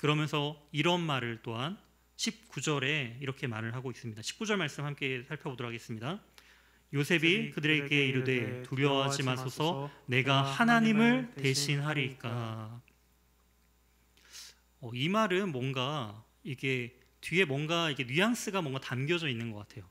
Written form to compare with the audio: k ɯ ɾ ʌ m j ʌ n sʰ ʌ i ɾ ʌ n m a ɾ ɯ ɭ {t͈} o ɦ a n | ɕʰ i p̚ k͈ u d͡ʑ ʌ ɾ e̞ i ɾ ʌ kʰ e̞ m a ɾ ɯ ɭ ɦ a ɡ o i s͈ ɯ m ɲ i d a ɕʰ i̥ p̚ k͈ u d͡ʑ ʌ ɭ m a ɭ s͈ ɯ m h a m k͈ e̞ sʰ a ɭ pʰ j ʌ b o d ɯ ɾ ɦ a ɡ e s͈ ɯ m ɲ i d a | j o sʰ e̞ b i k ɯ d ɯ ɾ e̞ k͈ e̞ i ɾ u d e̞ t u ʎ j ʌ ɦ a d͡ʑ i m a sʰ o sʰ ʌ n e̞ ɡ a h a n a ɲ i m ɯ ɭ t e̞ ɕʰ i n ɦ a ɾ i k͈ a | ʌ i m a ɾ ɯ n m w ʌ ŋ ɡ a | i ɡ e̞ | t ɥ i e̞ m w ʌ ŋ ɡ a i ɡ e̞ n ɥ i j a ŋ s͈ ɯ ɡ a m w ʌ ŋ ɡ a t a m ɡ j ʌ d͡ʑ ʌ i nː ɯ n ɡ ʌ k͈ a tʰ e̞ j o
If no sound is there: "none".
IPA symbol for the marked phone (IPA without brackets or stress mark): t͈